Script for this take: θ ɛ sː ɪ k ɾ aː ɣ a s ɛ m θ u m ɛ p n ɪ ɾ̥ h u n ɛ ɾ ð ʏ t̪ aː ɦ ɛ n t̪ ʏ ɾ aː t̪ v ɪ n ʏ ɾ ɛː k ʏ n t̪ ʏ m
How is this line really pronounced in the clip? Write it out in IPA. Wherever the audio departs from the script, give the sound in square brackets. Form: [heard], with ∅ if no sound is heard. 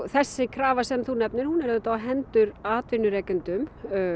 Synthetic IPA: θ ɛ sː ɪ [kʰ] ɾ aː [v] a s ɛ m θ u [n] ɛ p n ɪ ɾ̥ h u n ɛ ɾ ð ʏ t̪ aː ɦ ɛ n t̪ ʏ ɾ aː t̪ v ɪ n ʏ ɾ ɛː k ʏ n t̪ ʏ m